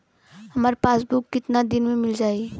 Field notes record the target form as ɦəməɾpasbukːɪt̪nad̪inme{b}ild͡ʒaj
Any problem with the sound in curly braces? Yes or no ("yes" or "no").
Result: yes